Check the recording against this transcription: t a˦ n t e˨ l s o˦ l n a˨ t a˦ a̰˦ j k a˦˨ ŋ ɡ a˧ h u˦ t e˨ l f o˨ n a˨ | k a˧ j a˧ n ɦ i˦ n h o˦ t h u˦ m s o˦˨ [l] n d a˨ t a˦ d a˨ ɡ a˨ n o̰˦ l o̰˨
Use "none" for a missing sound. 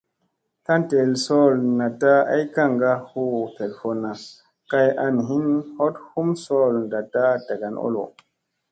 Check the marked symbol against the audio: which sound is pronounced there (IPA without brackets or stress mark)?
l